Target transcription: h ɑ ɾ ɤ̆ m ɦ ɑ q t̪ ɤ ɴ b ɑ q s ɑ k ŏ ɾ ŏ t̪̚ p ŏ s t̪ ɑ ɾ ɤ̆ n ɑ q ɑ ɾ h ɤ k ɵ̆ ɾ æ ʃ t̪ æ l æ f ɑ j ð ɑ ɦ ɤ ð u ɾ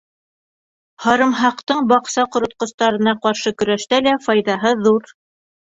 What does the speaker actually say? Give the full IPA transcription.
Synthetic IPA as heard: h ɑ ɾ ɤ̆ m ɦ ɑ q t̪ ɤ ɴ b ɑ q s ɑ q ŏ ɾ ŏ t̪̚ q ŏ s t̪ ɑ ɾ ɤ̆ n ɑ q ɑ ɾ ʃ ɤ k ɵ̆ ɾ æ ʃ t̪ æ l æ f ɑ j ð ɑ ɦ ɤ ð u ɾ